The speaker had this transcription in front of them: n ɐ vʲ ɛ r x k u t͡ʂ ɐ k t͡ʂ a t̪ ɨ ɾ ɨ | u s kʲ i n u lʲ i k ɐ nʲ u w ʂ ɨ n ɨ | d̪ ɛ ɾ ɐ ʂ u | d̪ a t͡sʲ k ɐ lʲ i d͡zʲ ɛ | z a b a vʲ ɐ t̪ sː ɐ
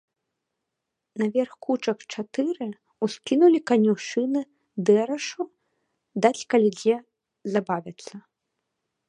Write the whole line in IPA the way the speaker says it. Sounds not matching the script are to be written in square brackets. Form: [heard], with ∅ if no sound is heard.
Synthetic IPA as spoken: n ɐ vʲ ɛ r x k u t͡ʂ ɐ k t͡ʂ a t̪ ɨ ɾ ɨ | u s kʲ i n u lʲ i k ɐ nʲ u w ʂ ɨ n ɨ | d̪ ɛ ɾ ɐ ʂ u | d̪ a t͡sʲ k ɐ lʲ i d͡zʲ ɛ | z a b a vʲ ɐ t̪ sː ɐ